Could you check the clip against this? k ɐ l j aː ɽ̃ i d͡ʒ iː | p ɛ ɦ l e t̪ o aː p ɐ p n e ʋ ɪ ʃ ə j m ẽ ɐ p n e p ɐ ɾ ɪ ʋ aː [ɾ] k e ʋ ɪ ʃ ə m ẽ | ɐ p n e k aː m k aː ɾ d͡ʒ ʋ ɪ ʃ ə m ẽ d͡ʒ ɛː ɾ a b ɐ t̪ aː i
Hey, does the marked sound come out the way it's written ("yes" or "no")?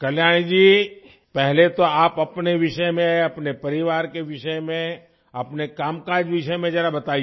yes